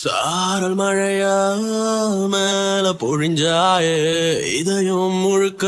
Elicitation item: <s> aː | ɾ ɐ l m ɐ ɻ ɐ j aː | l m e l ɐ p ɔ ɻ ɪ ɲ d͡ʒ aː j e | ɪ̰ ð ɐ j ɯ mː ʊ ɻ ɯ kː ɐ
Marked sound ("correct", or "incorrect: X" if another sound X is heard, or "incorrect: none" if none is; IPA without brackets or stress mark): correct